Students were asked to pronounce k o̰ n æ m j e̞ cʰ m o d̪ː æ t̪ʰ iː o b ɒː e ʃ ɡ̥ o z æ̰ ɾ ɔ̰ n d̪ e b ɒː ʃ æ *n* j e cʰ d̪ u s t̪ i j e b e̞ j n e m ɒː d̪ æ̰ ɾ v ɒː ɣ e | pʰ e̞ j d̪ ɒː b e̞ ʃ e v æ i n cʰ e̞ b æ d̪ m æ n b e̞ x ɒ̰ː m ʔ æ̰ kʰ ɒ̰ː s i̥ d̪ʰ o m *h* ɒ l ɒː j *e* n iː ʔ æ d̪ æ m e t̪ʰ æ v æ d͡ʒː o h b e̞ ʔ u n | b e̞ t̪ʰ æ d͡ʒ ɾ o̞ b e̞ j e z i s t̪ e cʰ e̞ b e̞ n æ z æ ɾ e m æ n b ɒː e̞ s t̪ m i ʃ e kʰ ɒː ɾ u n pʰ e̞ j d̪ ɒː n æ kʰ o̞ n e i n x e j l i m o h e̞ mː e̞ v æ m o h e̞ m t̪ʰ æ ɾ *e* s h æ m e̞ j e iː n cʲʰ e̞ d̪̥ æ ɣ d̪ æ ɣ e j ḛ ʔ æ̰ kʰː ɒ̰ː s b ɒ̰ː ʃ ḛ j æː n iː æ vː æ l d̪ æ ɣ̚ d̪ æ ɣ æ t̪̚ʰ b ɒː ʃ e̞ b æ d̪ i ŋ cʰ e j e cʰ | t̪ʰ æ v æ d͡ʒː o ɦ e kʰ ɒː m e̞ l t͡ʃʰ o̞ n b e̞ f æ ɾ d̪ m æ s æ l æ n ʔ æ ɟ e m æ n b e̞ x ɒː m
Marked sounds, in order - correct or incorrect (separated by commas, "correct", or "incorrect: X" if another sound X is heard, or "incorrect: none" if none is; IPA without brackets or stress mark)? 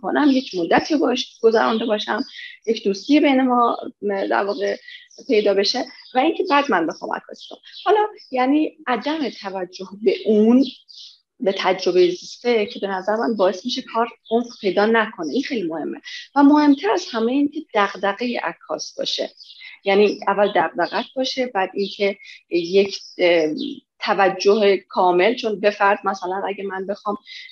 incorrect: m, correct, incorrect: æ, incorrect: æ